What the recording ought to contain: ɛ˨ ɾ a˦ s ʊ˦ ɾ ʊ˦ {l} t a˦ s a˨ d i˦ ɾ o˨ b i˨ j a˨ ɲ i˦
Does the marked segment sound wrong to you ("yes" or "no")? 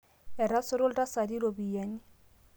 no